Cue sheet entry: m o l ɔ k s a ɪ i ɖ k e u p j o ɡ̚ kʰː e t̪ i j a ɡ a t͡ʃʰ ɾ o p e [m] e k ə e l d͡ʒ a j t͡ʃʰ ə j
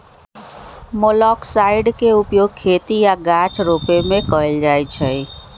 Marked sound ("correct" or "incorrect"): correct